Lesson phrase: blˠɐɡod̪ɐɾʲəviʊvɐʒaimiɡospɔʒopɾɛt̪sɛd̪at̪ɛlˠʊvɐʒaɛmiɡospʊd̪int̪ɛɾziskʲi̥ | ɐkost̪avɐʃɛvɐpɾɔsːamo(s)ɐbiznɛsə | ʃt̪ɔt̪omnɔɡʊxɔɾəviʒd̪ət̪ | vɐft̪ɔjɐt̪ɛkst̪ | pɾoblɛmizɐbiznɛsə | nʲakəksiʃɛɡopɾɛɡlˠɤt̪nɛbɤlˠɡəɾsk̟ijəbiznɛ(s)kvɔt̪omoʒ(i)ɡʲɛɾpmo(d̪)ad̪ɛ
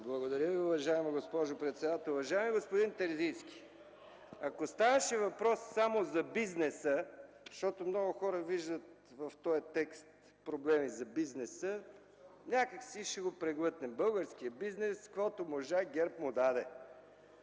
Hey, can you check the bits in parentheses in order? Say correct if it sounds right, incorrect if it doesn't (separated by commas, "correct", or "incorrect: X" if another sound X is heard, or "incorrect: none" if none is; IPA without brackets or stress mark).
incorrect: z, correct, incorrect: a, correct